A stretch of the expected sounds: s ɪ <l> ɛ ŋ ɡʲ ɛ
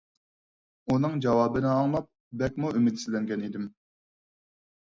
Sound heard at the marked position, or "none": l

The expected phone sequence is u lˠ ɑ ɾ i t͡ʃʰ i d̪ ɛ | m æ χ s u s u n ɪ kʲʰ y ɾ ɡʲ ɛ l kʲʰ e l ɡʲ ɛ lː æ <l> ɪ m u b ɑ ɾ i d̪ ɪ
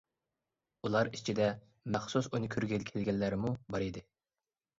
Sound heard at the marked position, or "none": ɾ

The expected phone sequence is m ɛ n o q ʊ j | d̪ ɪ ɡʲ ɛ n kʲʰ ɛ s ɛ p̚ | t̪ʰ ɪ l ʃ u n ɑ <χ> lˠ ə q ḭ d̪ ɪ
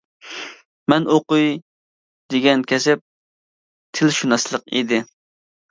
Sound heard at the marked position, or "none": s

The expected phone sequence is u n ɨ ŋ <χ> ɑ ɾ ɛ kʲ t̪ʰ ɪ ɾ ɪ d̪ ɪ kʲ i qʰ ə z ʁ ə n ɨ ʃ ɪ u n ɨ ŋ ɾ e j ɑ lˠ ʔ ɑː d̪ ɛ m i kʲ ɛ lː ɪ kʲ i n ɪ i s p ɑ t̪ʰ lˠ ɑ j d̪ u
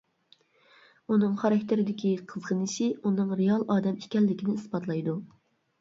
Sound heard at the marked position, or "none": χ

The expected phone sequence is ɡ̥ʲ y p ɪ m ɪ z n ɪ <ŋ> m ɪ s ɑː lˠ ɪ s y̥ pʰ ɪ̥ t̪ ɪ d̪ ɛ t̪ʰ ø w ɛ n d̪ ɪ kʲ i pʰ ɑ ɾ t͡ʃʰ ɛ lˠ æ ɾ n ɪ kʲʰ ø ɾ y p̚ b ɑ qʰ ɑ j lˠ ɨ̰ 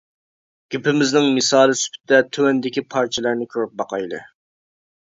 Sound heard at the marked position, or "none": ŋ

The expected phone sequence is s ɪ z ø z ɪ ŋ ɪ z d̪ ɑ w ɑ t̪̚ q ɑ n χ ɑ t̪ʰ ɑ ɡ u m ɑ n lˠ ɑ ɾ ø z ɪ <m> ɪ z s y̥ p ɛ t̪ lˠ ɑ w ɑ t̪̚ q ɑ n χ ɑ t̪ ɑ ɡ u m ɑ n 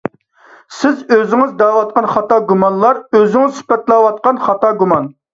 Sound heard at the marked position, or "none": ŋ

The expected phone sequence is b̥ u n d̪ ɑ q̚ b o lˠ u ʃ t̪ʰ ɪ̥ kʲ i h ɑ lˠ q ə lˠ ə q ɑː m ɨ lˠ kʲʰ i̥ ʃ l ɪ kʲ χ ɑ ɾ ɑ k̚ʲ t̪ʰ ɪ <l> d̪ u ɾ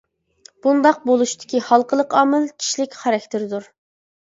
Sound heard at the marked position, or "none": ɾ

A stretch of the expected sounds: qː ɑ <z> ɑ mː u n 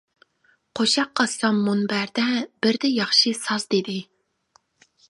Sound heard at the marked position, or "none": s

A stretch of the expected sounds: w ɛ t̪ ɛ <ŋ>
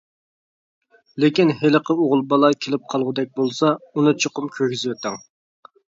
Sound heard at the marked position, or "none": ŋ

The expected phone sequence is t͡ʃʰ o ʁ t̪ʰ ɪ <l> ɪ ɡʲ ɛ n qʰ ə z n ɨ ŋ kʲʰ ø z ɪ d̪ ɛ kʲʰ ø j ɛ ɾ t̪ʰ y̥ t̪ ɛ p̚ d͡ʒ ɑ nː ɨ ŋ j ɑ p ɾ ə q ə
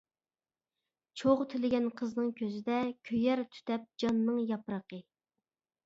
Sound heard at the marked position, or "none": l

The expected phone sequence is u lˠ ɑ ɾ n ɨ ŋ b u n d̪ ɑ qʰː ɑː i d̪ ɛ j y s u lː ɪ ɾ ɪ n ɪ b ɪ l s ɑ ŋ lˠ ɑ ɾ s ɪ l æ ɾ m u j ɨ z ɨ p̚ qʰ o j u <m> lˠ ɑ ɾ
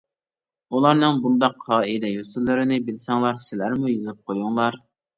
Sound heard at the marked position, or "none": ŋ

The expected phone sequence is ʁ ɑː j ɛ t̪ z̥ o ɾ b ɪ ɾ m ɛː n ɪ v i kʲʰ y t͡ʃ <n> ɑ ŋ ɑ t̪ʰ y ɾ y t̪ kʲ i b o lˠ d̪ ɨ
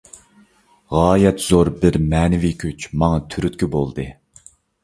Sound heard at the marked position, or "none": m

